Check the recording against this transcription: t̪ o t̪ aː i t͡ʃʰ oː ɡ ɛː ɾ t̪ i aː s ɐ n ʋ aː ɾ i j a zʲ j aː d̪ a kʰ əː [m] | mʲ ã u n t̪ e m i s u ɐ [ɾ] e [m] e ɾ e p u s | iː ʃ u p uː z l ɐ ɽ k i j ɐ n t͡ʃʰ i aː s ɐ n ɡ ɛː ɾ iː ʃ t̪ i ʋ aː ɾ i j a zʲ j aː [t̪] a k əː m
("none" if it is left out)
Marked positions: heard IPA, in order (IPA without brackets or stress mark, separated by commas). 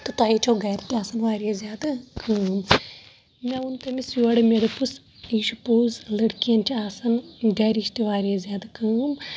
m, ɽ, m, d̪